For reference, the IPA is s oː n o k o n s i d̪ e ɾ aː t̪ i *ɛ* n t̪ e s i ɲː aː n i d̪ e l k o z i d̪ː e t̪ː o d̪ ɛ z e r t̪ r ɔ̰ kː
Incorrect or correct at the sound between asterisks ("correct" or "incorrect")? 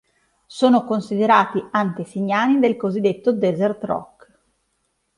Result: incorrect